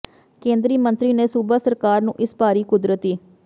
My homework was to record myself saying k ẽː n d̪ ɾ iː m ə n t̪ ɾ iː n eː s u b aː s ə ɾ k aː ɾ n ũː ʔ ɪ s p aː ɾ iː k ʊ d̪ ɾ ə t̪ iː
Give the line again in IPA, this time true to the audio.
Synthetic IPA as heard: k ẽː n d̪ ɾ iː m ə n t̪ ɾ iː n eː s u b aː s ə ɾ k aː ɾ n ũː ʔ ɪ s p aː ɾ iː k ʊ d̪ ɾ ə t̪ iː